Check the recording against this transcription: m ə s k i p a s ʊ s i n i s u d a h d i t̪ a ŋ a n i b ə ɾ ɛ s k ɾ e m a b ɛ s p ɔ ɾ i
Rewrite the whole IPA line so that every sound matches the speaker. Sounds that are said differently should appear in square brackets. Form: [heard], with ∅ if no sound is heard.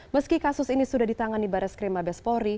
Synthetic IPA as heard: m ə s k i [k] a s ʊ s i n i s u d a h d i t̪ a ŋ a n i b [a] ɾ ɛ s k ɾ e m a b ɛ s p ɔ ɾ i